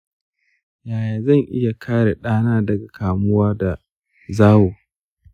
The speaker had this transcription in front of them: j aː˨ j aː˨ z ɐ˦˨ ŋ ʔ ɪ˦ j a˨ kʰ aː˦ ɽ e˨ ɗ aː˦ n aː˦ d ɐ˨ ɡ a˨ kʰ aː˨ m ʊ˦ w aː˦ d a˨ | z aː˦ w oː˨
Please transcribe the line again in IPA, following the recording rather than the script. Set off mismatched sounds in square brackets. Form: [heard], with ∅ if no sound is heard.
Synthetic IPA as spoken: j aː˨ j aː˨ z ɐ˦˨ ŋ ʔ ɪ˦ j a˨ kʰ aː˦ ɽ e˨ ɗ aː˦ n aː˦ d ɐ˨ ɡ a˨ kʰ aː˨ m ʊ˦ w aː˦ d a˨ | z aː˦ w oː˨